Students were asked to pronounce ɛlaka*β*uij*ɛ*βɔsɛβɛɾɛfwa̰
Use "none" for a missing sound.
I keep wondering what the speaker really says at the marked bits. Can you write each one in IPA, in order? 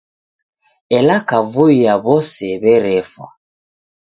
v, a

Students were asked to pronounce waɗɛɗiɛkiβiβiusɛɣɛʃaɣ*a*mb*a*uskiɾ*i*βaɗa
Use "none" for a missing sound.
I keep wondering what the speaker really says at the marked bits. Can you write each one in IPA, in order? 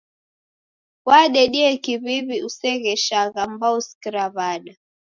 a, a, a

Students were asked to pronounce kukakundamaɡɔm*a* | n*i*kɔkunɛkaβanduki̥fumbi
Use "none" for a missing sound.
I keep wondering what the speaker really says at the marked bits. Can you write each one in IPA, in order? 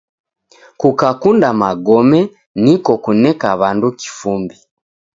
ɛ, i

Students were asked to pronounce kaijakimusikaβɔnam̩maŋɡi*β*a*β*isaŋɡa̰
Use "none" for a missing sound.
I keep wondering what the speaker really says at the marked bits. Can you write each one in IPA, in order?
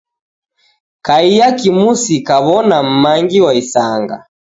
w, none

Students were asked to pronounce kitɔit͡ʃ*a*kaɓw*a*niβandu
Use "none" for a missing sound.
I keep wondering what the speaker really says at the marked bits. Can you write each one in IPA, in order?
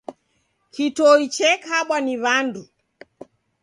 ɛ, a

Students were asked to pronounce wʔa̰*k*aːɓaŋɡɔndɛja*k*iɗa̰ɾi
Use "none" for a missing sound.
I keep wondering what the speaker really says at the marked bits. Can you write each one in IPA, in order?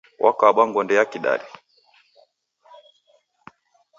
k, k

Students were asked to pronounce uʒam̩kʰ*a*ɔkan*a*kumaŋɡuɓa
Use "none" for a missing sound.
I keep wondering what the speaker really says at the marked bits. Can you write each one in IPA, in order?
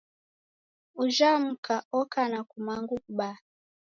a, a

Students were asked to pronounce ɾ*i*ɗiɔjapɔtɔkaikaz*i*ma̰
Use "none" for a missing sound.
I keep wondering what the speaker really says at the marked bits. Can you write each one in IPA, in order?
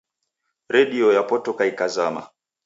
ɛ, a

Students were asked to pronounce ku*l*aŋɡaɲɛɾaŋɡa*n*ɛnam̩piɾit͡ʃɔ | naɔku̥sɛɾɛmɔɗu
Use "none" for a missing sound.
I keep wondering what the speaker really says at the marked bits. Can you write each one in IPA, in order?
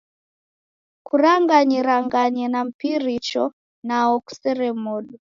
ɾ, ɲ

